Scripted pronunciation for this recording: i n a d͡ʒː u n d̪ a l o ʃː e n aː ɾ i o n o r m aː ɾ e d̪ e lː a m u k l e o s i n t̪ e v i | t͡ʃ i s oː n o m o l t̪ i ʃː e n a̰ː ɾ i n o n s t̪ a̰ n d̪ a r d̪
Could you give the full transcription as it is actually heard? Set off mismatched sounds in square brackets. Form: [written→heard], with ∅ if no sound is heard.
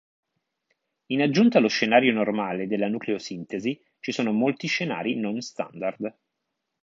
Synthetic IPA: i n a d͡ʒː u n [d̪→t̪] a l o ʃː e n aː ɾ [i→j] o n o r m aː [ɾ→l] e d̪ e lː a [m→n] u k l e o s i n t̪ e [v→z] i | t͡ʃ i s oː n o m o l t̪ i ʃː e n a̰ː ɾ i n o n s t̪ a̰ n d̪ a r d̪

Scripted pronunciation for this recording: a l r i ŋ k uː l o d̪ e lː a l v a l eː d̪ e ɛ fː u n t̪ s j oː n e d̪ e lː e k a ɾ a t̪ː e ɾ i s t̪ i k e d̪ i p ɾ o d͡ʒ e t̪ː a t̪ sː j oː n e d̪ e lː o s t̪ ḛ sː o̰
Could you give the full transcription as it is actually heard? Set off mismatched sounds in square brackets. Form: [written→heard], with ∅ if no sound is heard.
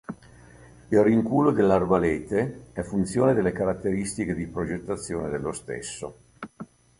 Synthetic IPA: [a→i] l r i ŋ k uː l o d̪ e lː a [l→r] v a l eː [d̪→t̪] e ɛ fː u n t̪ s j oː n e d̪ e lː e k a ɾ a t̪ː e ɾ i s t̪ i k e d̪ i p ɾ o d͡ʒ e t̪ː a t̪ sː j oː n e d̪ e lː o s t̪ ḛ sː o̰

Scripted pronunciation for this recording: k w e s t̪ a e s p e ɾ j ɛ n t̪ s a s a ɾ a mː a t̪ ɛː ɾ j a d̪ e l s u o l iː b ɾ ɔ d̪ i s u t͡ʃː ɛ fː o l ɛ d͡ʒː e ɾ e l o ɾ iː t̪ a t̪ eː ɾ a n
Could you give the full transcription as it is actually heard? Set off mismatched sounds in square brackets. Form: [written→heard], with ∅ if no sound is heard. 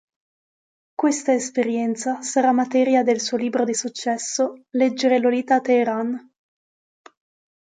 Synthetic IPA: k w e s t̪ a e s p e ɾ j ɛ n t̪ s a s a ɾ a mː a t̪ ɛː ɾ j a d̪ e l s u o l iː b ɾ [ɔ→o] d̪ i s u t͡ʃː ɛ [fː→sː] o l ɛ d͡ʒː e ɾ e l o [ɾ→l] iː t̪ a t̪ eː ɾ a n

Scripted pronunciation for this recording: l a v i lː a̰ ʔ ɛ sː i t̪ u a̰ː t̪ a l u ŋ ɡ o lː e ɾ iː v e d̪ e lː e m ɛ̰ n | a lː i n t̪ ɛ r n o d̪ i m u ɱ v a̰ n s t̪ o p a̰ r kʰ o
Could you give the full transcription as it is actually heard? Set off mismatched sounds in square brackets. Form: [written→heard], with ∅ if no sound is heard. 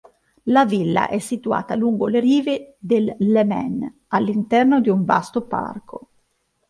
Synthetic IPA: l a v i lː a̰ ʔ ɛ sː i t̪ u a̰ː t̪ a l u ŋ ɡ o [lː→l] e ɾ iː v e d̪ e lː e m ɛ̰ n | a lː i n t̪ ɛ r n o d̪ i [m→∅] u ɱ v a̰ [n→∅] s t̪ o p a̰ r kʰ o

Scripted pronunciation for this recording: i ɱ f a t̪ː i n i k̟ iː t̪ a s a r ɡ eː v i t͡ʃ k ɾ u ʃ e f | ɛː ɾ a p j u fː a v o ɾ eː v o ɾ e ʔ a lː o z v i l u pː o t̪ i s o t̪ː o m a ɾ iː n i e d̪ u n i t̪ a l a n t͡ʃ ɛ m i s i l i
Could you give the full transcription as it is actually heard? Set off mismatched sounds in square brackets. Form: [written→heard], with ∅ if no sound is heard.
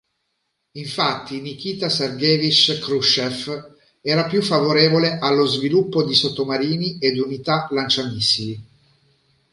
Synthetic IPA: i ɱ f a t̪ː i n i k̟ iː t̪ a s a r ɡ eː v i t͡ʃ k ɾ u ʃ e f | ɛː ɾ a p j u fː a v o ɾ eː v o [ɾ→l] e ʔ a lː o z v i l u pː o [t̪→d̪] i s o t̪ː o m a ɾ iː n i e d̪ u n i t̪ a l a n t͡ʃ [ɛ→a] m i s i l i

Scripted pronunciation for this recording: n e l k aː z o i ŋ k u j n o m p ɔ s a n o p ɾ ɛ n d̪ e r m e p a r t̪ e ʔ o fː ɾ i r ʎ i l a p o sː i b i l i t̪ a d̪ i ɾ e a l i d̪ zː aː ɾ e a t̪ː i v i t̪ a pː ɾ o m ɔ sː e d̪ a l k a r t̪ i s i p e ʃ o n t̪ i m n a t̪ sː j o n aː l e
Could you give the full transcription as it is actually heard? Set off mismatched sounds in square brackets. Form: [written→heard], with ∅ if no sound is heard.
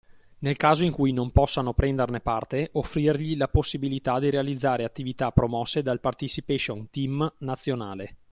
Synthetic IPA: n e l k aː z o i ŋ k u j n o m p ɔ [s→sː] a n o p ɾ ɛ n d̪ e r [m→n] e p a r t̪ e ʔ o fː ɾ i r ʎ i l a p o sː i b i l i t̪ a d̪ i ɾ e a l i d̪ zː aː ɾ e a t̪ː i v i t̪ a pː ɾ o m ɔ sː e d̪ a l [k→p] a r t̪ i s i p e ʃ o n t̪ i m n a t̪ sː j o n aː l e

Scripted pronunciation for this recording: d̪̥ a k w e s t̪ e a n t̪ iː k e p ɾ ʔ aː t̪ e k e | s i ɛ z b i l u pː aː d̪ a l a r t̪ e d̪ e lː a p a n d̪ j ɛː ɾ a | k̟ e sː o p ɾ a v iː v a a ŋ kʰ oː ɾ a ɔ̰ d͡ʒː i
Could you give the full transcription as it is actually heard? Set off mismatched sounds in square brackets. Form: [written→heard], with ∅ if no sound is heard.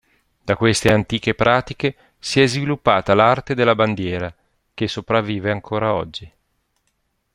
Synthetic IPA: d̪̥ a k w e s t̪ e a n t̪ iː k e p ɾ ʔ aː t̪ [e→i] k e | s i ɛ z [b→v] i l u pː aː [d̪→t̪] a l a r t̪ e d̪ e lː a [p→b] a n d̪ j ɛː ɾ a | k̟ e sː o p ɾ a [v→vː] iː v [a→e] a ŋ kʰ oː ɾ a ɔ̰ d͡ʒː i

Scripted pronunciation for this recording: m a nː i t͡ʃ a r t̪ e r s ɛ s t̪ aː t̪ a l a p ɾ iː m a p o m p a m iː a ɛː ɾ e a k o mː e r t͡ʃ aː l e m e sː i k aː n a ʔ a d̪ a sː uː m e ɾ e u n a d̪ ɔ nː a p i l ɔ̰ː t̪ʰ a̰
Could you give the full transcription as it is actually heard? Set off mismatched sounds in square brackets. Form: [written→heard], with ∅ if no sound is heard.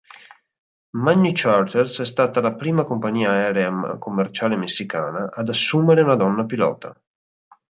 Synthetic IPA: m a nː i t͡ʃ a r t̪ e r s ɛ s t̪ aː t̪ a l a p ɾ iː m a [p→k] o m p a [m→ɲ] iː a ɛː ɾ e a k o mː e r t͡ʃ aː l e m e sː i k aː n a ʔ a d̪ a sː uː m e ɾ e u n a d̪ ɔ nː a p i l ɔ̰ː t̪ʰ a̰

